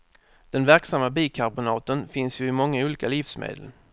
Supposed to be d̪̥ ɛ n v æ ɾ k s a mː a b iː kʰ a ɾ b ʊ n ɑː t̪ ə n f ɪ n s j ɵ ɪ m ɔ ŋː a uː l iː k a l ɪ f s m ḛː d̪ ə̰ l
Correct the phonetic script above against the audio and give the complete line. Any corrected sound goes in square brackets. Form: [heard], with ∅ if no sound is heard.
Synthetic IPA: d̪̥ ɛ n v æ ɾ k s a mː a b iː kʰ a ɾ b ʊ n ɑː t̪ ə n f ɪ n s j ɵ ɪ m ɔ ŋː a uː l iː k a l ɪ f s m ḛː d̪ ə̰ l